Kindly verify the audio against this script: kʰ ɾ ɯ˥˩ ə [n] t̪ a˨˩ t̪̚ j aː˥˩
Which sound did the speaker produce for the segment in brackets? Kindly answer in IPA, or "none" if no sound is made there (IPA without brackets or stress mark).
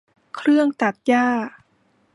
ŋ